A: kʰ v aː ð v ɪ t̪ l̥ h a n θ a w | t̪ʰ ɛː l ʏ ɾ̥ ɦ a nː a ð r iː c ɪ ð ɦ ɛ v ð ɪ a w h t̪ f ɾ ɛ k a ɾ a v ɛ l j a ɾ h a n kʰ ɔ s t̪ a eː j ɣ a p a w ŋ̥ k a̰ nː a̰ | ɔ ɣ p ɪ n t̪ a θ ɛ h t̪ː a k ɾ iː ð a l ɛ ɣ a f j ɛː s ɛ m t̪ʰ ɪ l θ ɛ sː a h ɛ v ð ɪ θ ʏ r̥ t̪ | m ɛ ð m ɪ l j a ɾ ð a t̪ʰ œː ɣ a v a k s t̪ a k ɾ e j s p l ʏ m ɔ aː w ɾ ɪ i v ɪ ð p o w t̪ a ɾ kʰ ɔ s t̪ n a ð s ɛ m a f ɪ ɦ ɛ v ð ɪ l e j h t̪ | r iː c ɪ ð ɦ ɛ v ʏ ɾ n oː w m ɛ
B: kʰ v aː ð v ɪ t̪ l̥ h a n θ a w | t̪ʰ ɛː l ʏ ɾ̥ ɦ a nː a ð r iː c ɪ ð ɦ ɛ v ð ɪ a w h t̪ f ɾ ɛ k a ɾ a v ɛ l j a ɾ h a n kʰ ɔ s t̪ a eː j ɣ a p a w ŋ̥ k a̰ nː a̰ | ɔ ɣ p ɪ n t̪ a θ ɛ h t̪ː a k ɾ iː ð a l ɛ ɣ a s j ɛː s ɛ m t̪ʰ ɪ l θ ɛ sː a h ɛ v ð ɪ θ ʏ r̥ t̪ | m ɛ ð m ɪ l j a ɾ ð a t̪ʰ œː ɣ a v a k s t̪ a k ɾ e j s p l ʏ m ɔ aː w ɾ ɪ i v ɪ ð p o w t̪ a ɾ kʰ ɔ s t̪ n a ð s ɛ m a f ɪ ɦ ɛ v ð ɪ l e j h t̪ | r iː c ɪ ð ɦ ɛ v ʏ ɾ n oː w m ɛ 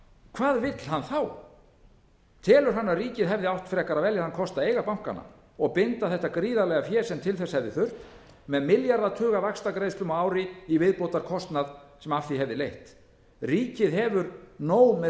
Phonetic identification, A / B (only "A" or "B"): A